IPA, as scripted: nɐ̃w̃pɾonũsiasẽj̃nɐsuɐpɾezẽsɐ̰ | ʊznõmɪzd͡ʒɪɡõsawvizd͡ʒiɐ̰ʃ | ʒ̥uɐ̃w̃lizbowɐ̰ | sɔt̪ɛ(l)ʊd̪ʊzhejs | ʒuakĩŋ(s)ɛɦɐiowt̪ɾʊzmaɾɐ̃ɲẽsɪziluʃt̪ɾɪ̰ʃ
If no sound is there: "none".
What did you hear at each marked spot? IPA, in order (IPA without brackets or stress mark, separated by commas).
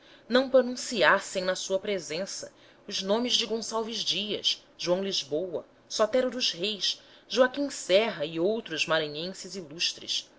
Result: ɾ, s